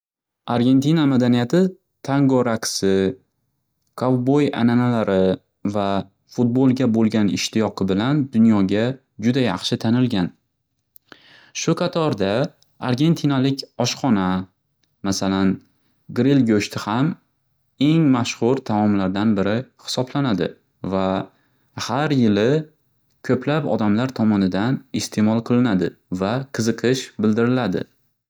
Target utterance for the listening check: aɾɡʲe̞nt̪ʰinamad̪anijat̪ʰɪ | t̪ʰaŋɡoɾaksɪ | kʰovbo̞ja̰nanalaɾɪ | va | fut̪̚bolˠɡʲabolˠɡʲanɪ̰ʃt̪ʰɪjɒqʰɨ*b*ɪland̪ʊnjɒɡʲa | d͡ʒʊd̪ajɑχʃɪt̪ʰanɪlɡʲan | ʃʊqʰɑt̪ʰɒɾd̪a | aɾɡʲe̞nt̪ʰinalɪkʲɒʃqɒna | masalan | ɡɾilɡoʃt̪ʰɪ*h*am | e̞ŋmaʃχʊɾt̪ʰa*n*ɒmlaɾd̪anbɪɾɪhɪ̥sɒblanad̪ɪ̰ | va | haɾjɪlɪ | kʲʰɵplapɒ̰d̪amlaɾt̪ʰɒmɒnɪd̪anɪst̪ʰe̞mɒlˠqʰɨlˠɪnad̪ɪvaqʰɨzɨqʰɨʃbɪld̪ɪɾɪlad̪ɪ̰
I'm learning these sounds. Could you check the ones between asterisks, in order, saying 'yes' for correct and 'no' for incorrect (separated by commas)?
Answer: yes, yes, no